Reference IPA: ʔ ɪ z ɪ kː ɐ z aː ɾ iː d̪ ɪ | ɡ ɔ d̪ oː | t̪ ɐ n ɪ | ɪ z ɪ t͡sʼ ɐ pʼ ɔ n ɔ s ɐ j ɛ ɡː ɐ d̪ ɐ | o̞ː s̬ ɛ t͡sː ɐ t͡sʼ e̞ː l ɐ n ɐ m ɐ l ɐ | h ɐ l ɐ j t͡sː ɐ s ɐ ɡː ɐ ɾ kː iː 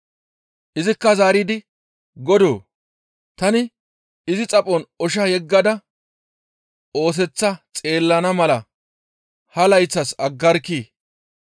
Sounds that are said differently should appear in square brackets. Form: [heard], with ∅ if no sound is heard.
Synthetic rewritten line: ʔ ɪ z ɪ kː ɐ z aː ɾ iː d̪ ɪ | ɡ ɔ d̪ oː | t̪ ɐ n ɪ | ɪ z ɪ t͡sʼ ɐ pʼ ɔ n ɔ [ʃ] ɐ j ɛ ɡː ɐ d̪ ɐ | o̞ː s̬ ɛ t͡sː ɐ t͡sʼ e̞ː [lː] ɐ n ɐ m ɐ l ɐ | h ɐ l ɐ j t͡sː ɐ s ɐ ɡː ɐ ɾ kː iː